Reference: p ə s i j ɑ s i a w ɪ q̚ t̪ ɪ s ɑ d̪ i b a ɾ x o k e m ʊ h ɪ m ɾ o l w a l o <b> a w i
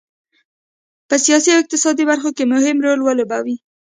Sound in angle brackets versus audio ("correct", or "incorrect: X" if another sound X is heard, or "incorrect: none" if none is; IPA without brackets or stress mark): correct